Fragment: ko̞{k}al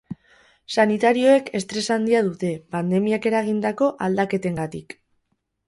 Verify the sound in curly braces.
incorrect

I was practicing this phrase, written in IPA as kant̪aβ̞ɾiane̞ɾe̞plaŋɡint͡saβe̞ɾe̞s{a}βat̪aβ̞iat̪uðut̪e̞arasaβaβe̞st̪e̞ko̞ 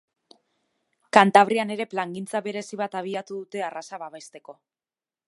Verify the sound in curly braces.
incorrect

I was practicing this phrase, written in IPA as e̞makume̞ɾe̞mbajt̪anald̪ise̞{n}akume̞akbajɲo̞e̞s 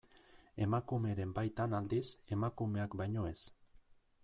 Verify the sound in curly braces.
incorrect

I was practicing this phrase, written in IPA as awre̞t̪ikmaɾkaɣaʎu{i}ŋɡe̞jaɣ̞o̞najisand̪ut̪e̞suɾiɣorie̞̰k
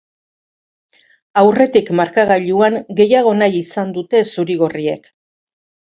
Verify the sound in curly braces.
incorrect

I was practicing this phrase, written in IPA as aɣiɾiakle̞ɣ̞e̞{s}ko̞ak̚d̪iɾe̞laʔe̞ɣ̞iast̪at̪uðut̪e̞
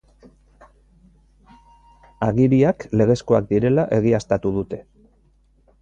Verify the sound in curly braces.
correct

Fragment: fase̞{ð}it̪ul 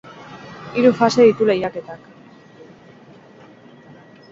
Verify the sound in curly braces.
correct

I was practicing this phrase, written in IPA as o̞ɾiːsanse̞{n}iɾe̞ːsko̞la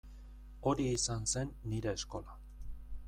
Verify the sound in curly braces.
incorrect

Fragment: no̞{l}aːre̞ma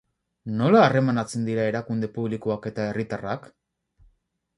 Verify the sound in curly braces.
correct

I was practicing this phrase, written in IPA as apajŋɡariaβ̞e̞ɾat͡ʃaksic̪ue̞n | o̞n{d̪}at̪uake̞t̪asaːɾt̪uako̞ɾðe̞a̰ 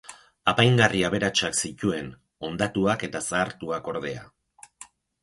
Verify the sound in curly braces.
correct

